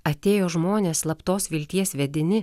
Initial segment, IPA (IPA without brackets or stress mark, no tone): ɐ